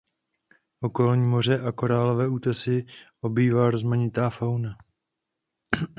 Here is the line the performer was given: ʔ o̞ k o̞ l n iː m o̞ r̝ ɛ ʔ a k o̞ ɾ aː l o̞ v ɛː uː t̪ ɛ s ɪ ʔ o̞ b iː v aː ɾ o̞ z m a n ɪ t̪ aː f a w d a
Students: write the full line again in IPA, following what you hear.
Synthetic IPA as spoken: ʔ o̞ k o̞ l ɲ iː m o̞ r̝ ɛ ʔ a k o̞ ɾ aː l o̞ v ɛː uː t̪ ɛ s ɪ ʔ o̞ b iː v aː ɾ o̞ z m a ɲ ɪ t̪ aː f a w n a